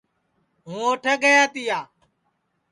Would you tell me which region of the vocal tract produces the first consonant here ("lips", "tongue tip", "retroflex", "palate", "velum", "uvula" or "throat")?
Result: throat